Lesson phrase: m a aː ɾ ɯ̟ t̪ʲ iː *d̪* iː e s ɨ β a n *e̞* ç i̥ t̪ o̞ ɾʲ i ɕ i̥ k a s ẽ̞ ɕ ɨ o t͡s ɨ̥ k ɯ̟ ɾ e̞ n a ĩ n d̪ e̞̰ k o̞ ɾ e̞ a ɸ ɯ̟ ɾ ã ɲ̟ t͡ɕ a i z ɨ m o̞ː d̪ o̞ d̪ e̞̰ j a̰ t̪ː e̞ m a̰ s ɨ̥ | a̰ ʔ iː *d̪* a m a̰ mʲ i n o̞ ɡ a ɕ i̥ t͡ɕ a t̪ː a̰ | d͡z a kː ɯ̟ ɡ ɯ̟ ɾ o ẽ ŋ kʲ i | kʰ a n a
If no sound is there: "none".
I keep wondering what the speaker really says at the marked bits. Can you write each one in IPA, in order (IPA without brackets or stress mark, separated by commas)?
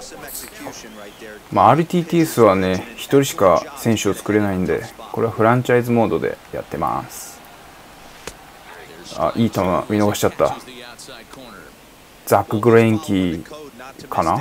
t̪, e̞, t̪